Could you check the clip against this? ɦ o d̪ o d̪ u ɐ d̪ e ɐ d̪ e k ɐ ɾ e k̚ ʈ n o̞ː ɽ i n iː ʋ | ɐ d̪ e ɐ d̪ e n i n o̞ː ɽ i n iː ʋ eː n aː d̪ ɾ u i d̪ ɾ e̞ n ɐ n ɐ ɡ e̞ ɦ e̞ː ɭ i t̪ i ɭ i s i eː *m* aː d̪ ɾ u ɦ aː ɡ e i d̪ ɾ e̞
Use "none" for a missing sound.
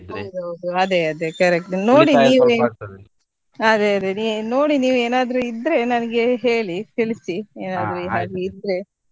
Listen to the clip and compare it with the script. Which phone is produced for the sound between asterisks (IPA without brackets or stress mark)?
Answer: n